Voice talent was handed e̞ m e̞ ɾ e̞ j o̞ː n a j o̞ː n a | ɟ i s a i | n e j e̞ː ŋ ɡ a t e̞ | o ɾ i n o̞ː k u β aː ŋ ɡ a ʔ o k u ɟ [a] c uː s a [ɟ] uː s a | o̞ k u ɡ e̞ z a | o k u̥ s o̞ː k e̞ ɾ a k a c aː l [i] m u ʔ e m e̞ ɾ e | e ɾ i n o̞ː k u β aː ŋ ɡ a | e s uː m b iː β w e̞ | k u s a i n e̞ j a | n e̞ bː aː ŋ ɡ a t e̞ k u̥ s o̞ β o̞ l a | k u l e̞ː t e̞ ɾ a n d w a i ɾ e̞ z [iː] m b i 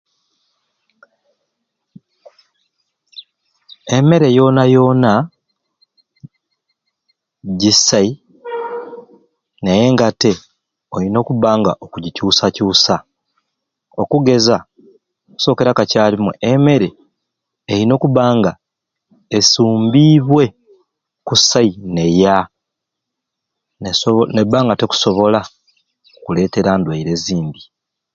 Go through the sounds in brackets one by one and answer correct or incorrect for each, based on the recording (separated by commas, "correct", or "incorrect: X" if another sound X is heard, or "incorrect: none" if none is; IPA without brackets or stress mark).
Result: incorrect: i, incorrect: c, correct, correct